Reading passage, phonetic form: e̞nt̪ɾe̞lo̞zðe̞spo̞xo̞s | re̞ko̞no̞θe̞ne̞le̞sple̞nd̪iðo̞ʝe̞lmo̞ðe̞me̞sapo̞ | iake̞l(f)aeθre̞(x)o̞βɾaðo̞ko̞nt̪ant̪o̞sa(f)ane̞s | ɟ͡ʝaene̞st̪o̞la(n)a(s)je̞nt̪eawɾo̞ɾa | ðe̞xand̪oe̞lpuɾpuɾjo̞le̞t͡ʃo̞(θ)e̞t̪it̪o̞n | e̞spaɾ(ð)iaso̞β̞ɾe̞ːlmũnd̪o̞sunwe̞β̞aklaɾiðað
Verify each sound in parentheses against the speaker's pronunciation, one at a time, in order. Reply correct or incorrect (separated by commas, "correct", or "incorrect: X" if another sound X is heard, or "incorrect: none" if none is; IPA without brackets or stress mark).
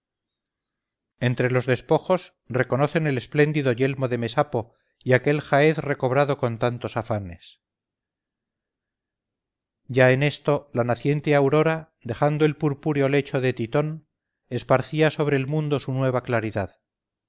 incorrect: x, incorrect: k, correct, correct, incorrect: θ, incorrect: ð, incorrect: θ